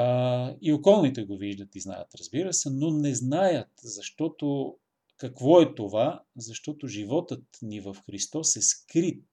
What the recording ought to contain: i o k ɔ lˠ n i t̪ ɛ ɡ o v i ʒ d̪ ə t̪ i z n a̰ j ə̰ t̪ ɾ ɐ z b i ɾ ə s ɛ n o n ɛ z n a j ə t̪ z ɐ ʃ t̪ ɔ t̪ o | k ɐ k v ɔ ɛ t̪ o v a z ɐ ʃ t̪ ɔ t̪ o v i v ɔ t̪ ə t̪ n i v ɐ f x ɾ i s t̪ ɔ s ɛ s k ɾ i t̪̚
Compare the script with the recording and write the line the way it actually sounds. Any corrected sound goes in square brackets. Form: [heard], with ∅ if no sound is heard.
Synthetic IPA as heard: i o k ɔ lˠ n i t̪ ɛ ɡ o v i ʒ d̪ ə t̪ i z n a̰ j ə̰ t̪ ɾ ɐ z b i ɾ ə s ɛ n o n ɛ z n a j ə t̪ z ɐ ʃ t̪ ɔ t̪ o | k ɐ k v ɔ ɛ t̪ o v a z ɐ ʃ t̪ ɔ t̪ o [ʒ] i v ɔ t̪ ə t̪ n i v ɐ f x ɾ i s t̪ ɔ s ɛ s k ɾ i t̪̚